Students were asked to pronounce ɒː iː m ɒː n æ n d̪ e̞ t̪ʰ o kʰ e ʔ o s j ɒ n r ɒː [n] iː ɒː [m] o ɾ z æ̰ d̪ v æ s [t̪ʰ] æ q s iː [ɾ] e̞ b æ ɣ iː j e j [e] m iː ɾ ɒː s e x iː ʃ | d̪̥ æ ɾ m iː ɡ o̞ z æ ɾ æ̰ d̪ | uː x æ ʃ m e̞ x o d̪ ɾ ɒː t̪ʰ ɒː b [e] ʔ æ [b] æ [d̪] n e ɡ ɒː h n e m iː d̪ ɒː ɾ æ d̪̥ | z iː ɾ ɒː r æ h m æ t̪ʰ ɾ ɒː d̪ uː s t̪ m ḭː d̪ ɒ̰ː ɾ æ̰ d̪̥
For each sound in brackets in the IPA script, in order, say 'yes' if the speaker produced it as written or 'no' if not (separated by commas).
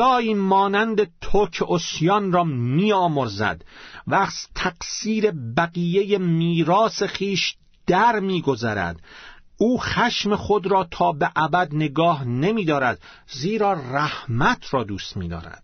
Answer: no, yes, yes, yes, yes, yes, yes, yes